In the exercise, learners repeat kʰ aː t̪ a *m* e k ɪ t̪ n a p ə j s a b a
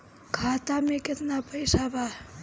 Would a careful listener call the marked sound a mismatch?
no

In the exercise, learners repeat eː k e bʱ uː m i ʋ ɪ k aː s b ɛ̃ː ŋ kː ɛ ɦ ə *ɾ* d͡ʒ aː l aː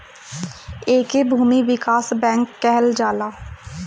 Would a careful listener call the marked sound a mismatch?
yes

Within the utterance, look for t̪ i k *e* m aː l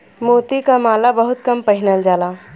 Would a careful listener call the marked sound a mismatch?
yes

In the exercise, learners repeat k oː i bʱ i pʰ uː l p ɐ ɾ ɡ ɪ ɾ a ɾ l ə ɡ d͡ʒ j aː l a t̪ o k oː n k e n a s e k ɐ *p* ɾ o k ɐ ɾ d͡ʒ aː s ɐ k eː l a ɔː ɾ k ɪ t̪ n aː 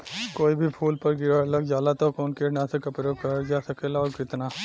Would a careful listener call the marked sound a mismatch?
no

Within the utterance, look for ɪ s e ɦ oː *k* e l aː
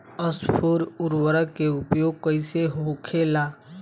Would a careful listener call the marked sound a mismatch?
yes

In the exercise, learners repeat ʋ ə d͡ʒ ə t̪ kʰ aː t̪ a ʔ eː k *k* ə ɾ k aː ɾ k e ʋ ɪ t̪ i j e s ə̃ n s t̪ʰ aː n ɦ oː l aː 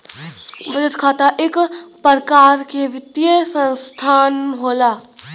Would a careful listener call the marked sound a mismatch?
yes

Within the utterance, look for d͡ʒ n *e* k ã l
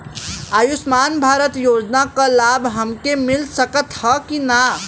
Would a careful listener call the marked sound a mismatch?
yes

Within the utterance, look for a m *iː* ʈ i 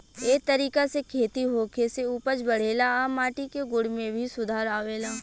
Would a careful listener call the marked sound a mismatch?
yes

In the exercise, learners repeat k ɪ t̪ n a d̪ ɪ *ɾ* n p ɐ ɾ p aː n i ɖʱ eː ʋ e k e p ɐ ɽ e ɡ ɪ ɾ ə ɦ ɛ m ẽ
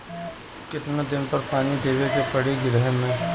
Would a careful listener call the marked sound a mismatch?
yes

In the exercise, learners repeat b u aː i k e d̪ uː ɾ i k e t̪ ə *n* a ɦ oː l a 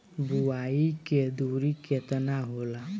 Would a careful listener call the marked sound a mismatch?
no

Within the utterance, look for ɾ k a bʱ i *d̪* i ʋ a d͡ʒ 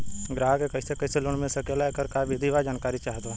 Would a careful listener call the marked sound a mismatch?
no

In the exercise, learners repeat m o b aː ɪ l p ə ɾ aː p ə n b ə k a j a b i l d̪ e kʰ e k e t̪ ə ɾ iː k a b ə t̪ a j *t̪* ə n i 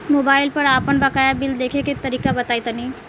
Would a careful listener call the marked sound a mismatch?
no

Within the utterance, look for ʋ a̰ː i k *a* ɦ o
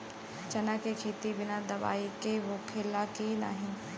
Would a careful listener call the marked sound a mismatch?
yes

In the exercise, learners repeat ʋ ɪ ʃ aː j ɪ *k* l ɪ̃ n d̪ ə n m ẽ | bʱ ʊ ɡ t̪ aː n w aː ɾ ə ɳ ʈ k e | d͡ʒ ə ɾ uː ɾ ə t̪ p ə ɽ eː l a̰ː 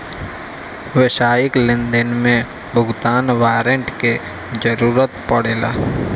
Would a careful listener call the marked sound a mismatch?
no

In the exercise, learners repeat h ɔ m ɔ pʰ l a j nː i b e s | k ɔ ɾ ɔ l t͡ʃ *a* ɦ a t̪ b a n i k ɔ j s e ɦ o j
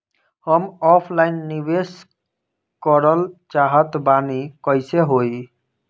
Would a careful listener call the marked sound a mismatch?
no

